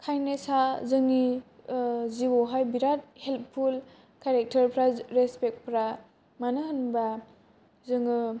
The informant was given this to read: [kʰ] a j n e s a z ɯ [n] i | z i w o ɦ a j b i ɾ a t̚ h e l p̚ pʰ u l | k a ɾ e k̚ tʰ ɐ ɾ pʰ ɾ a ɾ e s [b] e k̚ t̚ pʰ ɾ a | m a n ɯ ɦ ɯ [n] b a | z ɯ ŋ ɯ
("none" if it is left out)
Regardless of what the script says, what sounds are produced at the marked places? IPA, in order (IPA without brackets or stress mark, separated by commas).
kʰ, ŋ, p, n